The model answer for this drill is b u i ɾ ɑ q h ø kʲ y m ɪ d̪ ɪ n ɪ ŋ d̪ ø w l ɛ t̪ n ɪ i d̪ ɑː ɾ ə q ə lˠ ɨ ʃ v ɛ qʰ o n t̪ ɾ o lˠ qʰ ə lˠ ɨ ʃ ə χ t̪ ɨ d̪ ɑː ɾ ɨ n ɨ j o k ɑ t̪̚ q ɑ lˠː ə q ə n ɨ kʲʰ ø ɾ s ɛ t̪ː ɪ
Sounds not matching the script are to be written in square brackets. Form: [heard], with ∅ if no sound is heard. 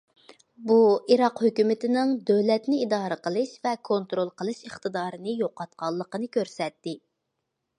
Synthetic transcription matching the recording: b u i ɾ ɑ q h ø kʲ y m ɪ [t̪] ɪ n ɪ ŋ d̪ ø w l ɛ t̪ n ɪ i d̪ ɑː ɾ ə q ə lˠ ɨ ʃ v ɛ [kʰ] o n t̪ ɾ o lˠ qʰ ə lˠ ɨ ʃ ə χ t̪ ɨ d̪ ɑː ɾ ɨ n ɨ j o [q] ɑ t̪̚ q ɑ lˠː ə q ə n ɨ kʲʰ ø ɾ s ɛ t̪ː ɪ